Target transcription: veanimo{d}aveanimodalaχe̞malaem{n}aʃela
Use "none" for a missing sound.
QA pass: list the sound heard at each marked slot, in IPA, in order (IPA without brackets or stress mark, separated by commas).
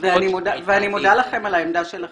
d, d